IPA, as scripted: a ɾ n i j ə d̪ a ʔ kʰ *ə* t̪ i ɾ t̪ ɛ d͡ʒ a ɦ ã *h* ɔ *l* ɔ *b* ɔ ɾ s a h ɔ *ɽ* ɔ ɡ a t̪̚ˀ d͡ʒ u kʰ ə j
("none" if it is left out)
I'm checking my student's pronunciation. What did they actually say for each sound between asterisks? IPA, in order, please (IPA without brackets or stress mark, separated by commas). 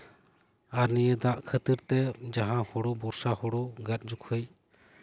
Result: ə, h, ɽ, b, ɽ